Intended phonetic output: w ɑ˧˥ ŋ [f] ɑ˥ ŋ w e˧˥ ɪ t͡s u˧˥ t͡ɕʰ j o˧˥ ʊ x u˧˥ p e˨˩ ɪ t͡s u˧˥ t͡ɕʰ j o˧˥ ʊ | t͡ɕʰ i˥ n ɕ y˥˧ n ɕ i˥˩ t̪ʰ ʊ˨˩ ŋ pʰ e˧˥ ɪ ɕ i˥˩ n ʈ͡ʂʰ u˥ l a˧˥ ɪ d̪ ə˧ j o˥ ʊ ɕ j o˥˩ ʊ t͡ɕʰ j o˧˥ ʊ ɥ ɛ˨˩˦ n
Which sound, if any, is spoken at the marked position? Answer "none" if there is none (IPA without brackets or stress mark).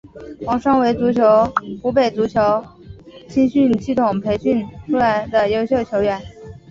ʂ